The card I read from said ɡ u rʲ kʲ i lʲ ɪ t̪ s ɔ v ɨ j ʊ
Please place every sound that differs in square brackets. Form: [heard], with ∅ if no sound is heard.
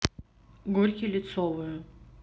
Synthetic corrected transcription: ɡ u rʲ kʲ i lʲ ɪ t̪ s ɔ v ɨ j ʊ